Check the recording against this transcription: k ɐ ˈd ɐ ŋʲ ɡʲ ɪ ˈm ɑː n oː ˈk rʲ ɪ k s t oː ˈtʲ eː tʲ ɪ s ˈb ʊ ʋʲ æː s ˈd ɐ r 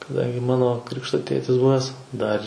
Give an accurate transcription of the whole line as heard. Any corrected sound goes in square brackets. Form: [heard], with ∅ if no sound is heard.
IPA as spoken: k ɐ ˈd ɐ ŋʲ ɡʲ ɪ ˈm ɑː n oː ˈk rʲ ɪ k [ʃ] t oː ˈtʲ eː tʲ ɪ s ˈb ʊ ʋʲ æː s ˈd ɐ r